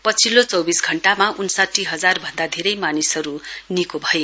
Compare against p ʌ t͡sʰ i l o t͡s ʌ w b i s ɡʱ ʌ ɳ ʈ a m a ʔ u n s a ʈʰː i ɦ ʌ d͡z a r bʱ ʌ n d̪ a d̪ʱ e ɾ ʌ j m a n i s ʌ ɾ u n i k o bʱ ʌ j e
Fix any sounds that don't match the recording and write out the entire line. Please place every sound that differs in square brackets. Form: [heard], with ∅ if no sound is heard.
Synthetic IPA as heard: p ʌ t͡sʰ i l o t͡s ʌ w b i s ɡʱ ʌ ɳ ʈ a m a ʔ u n s a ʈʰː i ɦ ʌ d͡z a r bʱ ʌ n d̪ a d̪ʱ e ɾ ʌ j m a n i s ʌ ɾ u n i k o bʱ ʌ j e